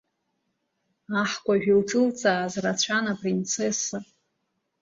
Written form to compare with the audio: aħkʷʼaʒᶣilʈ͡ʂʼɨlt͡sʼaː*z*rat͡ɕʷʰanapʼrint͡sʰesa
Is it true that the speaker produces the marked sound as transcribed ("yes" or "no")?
yes